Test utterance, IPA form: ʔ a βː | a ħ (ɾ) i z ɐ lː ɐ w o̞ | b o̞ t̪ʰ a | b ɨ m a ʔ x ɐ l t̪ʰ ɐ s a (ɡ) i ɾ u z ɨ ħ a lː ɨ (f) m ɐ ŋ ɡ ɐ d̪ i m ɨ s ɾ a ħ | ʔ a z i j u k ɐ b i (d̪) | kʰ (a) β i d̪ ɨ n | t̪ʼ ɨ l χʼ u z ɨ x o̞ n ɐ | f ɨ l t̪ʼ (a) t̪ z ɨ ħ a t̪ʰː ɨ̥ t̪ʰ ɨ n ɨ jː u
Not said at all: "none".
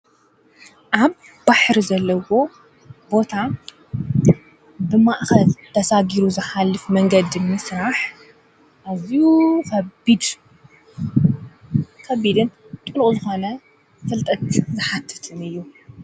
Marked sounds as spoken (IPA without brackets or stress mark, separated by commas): ɾ, ɡ, f, d̪, ɐ, ɐ